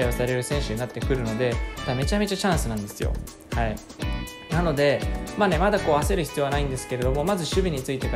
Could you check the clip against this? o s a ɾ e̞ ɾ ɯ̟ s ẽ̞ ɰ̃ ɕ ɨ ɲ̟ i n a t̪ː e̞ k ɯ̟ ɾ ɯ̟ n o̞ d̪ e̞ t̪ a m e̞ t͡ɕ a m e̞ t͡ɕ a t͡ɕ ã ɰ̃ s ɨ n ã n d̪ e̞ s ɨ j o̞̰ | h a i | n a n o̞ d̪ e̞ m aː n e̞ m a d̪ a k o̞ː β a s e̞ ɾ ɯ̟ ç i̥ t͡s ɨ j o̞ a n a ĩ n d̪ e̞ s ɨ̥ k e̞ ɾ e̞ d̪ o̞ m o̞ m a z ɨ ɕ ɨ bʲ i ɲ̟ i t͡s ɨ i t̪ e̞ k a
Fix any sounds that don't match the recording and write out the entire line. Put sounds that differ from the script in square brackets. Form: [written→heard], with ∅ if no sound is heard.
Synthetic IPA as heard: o s a ɾ e̞ ɾ ɯ̟ s ẽ̞ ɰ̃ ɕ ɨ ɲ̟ i n a t̪ː e̞ k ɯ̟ ɾ ɯ̟ n o̞ d̪ e̞ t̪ a m e̞ t͡ɕ a m e̞ t͡ɕ a t͡ɕ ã ɰ̃ s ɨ n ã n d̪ e̞ s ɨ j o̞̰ | h a i | n a n o̞ d̪ e̞ m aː n e̞ m a d̪ a k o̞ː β a s e̞ ɾ ɯ̟ ç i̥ t͡s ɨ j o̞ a n a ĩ n d̪ e̞ s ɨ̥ k e̞ ɾ e̞ d̪ o̞ m o̞ m a z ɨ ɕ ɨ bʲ i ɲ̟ i t͡s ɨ i t̪ e̞ k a